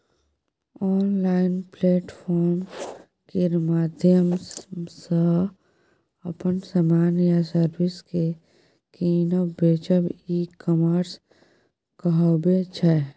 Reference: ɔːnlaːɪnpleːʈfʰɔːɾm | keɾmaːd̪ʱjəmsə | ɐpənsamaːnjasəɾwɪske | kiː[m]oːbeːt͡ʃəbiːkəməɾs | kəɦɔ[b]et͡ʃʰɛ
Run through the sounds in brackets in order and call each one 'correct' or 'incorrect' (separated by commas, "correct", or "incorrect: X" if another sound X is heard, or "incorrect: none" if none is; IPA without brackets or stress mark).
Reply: incorrect: n, correct